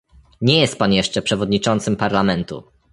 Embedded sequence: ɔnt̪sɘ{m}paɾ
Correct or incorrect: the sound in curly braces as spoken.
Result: correct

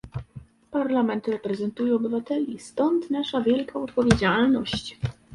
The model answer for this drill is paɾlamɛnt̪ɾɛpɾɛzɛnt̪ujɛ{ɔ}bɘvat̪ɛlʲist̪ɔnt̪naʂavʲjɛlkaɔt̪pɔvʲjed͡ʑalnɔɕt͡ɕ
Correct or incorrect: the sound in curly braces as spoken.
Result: correct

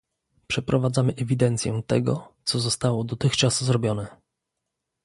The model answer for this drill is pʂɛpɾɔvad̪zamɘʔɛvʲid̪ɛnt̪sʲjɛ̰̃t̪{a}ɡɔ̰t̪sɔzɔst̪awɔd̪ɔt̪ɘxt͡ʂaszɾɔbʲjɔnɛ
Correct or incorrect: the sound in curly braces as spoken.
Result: incorrect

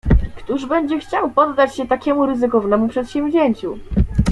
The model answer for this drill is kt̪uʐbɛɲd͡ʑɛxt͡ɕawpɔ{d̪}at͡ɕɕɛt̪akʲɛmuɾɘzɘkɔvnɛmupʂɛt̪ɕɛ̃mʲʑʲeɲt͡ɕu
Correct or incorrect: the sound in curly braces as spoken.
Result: incorrect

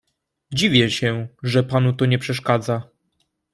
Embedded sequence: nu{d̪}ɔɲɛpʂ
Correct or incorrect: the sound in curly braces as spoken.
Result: incorrect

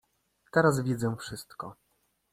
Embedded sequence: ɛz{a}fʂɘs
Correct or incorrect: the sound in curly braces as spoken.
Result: incorrect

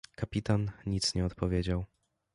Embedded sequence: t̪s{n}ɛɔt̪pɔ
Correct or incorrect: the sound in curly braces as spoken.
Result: incorrect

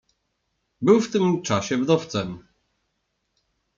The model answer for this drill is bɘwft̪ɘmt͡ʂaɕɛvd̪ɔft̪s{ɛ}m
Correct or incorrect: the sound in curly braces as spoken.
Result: correct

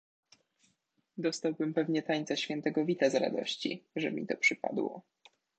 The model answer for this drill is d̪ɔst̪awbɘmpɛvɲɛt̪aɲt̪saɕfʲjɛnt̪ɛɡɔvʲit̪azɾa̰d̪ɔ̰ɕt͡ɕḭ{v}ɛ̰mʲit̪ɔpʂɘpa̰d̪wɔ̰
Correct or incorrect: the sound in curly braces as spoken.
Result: incorrect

